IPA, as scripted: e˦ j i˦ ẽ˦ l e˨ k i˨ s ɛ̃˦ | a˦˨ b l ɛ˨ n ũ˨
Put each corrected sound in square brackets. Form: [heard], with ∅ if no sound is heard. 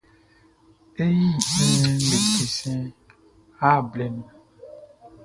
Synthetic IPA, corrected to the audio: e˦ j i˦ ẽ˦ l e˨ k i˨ s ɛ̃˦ | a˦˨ b l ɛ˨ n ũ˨